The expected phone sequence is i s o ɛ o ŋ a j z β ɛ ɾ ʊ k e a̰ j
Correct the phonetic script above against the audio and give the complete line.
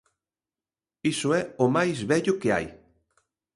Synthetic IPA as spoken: i s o ɛ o m a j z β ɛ ʎ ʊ k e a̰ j